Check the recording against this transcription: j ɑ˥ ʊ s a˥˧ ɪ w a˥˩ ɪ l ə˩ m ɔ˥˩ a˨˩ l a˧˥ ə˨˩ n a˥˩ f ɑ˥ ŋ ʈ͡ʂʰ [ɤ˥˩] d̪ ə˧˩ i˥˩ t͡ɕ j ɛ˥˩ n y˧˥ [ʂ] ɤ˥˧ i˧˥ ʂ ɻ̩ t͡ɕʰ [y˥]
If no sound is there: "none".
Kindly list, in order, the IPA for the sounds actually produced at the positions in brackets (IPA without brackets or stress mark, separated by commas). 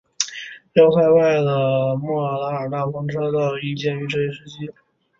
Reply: ɤ˥, ʈ͡ʂ, i˥